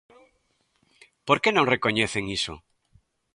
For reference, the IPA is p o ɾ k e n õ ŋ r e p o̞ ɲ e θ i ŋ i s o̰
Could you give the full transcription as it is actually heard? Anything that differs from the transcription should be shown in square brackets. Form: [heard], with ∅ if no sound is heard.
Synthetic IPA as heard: p o ɾ k e n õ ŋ r e [k] o̞ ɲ e θ [e] ŋ i s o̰